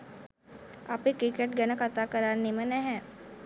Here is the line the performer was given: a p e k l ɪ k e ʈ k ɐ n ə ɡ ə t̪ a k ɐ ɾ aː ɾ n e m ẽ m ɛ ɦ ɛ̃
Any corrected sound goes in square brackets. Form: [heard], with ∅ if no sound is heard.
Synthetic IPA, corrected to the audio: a p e k [ɾ] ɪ k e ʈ [ɡ] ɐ n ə [k] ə t̪ a k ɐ ɾ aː ɾ n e m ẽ [n] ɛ ɦ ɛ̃